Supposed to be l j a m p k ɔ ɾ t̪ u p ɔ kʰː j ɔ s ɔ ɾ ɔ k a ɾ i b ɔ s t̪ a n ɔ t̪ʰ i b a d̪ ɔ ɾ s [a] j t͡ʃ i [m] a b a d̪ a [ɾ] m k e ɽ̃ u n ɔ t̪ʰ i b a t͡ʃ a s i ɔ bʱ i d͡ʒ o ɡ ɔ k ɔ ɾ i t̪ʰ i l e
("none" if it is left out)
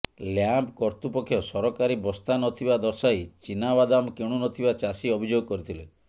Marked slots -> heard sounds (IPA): a, n, none

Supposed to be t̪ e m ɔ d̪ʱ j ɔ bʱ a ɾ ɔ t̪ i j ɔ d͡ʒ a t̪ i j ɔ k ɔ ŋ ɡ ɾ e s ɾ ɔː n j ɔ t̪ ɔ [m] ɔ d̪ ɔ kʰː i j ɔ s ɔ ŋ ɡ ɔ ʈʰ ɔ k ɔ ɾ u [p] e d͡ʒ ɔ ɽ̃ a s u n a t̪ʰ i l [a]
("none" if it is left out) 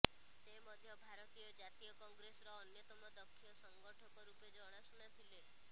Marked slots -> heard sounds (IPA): m, p, e

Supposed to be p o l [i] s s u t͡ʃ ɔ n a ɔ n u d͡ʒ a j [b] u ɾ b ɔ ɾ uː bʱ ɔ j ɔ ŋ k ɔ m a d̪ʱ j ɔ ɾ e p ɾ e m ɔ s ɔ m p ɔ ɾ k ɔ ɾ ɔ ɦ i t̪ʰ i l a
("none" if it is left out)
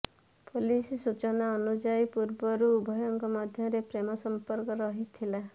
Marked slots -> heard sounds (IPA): i, p

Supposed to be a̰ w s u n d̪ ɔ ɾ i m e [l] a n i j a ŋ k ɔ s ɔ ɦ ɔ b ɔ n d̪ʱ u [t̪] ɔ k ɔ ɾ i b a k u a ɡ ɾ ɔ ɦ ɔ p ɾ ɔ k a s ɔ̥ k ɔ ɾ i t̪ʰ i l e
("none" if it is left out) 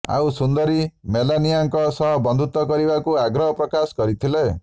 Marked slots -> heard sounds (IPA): l, t̪

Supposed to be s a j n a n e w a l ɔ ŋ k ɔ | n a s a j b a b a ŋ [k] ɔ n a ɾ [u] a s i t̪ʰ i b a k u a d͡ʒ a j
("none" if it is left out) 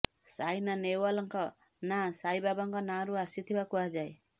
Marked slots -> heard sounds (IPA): k, u

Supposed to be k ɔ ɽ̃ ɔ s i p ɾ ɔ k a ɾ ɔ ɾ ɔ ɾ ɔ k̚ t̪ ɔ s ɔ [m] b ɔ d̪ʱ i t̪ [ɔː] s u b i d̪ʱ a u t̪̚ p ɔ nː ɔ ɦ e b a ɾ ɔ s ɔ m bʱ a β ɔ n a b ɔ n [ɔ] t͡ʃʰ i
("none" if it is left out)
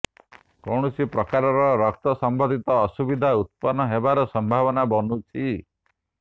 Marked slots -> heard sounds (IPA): m, ɔː, u

